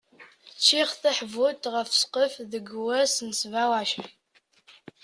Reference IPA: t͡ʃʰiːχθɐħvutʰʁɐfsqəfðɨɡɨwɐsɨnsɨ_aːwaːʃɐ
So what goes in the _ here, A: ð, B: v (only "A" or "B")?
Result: B